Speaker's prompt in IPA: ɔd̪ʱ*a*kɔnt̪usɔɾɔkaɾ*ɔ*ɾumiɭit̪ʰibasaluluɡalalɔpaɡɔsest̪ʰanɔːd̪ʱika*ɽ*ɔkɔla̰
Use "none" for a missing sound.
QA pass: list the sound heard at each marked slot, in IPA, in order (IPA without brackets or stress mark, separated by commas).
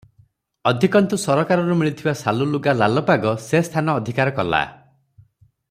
i, ɔ, ɾ